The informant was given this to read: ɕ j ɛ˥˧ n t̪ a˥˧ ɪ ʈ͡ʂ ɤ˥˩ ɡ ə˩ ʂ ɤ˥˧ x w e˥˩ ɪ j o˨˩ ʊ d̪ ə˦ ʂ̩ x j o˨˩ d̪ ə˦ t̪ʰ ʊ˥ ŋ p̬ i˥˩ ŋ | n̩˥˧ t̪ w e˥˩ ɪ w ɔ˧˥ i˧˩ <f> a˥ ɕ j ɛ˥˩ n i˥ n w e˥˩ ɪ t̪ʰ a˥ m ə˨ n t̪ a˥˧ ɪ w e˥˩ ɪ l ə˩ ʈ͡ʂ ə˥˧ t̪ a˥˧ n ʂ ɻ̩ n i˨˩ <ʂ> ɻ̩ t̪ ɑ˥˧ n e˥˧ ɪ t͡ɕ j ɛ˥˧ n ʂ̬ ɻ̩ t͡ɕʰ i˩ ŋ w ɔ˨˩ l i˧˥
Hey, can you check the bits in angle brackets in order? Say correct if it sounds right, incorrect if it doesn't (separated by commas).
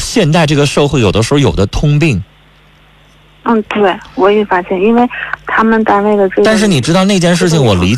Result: correct, incorrect